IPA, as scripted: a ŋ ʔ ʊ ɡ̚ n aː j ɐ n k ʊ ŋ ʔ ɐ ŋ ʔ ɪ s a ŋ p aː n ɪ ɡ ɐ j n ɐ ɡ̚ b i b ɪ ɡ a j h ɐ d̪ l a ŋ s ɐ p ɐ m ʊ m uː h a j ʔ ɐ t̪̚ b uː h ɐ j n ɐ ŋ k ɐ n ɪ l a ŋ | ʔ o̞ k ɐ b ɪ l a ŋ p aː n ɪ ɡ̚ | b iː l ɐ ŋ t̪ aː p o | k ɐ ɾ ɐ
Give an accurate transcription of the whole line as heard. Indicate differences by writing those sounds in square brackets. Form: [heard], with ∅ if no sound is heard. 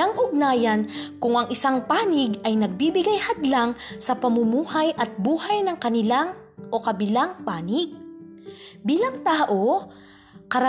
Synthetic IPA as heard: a ŋ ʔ ʊ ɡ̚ n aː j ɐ n k ʊ ŋ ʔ ɐ ŋ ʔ ɪ s a ŋ p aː n ɪ ɡ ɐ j n ɐ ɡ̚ b i b ɪ ɡ a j h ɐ d̪ l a ŋ s ɐ p ɐ m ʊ m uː h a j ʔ ɐ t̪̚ b uː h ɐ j n ɐ ŋ k ɐ n ɪ l a ŋ | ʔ o̞ k ɐ b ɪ l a ŋ p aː n ɪ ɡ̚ | b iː l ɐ ŋ t̪ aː [ʔ] o | k ɐ ɾ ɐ